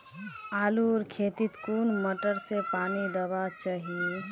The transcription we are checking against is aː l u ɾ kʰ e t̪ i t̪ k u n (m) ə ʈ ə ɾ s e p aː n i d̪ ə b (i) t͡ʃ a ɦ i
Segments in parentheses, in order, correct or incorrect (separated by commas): correct, incorrect